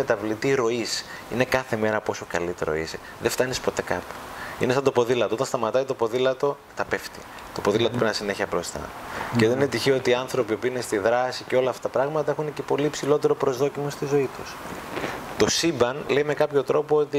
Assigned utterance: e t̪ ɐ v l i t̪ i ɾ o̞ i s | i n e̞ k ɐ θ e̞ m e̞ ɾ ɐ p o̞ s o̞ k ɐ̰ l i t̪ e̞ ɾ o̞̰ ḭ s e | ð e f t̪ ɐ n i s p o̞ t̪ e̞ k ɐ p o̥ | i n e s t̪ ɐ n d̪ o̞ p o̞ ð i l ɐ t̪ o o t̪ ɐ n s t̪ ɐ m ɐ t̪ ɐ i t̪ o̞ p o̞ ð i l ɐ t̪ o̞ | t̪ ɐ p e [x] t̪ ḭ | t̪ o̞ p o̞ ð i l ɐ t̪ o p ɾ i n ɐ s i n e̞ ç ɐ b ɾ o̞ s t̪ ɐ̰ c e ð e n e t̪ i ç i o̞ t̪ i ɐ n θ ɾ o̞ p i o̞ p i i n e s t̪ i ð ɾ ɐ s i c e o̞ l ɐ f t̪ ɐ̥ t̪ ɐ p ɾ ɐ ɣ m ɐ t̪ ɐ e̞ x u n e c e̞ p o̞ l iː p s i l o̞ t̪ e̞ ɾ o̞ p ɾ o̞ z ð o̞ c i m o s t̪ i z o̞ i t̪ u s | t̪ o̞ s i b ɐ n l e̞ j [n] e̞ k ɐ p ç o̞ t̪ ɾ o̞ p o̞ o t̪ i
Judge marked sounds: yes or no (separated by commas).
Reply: no, no